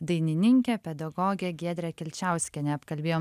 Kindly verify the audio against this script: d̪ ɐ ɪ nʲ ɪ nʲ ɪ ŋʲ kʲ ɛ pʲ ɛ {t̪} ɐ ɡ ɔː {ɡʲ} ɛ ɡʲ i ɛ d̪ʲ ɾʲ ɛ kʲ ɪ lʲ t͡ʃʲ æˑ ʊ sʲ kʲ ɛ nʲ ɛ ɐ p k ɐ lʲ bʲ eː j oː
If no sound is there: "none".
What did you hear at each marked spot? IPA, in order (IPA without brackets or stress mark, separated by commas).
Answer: d̪, ɡʲ